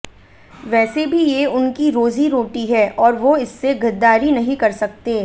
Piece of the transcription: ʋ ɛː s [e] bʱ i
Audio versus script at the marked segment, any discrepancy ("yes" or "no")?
no